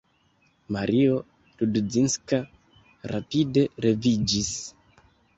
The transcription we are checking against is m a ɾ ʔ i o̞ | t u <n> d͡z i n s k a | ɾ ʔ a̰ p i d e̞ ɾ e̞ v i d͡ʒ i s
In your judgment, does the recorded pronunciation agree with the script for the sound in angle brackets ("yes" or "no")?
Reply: no